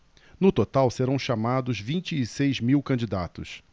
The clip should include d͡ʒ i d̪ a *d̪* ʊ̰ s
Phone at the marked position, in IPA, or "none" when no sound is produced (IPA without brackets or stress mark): t̪